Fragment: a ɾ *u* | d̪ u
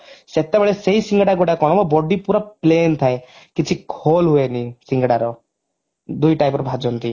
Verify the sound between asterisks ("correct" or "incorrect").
incorrect